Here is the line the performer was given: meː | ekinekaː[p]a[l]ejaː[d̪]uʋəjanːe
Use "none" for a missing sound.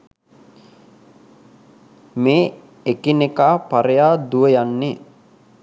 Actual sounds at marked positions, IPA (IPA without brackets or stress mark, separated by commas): p, ɾ, d̪